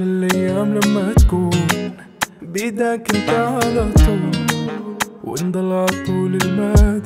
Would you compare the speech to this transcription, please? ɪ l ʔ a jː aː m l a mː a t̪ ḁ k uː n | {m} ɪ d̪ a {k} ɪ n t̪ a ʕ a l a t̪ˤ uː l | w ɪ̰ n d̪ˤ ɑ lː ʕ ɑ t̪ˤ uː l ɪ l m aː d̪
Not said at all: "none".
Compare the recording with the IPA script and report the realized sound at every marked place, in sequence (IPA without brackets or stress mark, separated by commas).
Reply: b, k